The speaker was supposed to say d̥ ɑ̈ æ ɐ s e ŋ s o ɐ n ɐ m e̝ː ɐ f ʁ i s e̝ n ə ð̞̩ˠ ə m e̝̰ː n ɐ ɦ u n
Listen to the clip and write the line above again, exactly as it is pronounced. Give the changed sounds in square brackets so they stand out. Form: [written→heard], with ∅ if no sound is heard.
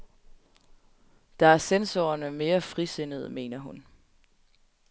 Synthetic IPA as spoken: d̥ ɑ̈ æ ɐ s e [ŋ→n] s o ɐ n [ɐ→ə] m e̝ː ɐ f ʁ i s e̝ n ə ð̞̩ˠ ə m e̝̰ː n ɐ ɦ u n

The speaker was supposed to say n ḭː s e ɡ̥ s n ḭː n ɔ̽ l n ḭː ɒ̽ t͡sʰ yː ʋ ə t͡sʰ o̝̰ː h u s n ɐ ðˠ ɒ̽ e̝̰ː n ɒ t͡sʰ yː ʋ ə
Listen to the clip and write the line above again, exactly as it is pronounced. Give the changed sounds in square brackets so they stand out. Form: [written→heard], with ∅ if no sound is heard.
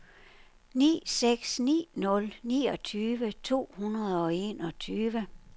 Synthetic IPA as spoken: n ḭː s e ɡ̥ s n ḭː n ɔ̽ l n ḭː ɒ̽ t͡sʰ yː ʋ ə t͡sʰ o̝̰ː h u [s→∅] n ɐ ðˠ ɒ̽ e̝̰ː n ɒ t͡sʰ yː ʋ ə

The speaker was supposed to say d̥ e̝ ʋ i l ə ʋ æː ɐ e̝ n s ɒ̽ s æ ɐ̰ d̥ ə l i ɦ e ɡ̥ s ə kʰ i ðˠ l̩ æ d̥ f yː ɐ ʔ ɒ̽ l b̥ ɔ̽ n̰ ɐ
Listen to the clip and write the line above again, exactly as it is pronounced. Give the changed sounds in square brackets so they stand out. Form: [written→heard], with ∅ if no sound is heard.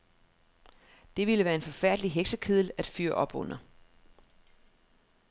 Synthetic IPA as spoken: d̥ e̝ ʋ i l ə ʋ æː ɐ e̝ n [s→f] ɒ̽ [s→f] æ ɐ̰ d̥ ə l i ɦ e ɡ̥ s ə kʰ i ðˠ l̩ æ d̥ f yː ɐ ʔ ɒ̽ [l→∅] b̥ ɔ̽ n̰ ɐ

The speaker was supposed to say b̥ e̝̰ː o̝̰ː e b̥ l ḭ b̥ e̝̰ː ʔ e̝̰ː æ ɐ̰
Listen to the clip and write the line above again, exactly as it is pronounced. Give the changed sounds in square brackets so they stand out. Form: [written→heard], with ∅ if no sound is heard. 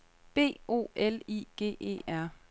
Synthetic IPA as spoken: b̥ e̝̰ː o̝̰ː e [b̥→∅] l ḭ [b̥→ɡ̥] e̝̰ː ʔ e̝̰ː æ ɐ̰

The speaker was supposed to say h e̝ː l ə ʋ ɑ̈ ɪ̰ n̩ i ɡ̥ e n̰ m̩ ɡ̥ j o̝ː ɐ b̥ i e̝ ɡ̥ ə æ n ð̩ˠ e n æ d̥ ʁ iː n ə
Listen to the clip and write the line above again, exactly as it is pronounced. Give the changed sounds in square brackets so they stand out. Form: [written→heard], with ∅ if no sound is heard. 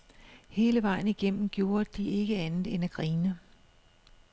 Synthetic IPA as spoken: h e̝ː l ə ʋ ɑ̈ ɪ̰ n̩ i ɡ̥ e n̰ m̩ ɡ̥ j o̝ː ɐ [b̥→d̥] i e̝ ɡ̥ ə æ n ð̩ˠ e n æ [d̥→ɡ̥] ʁ iː n ə

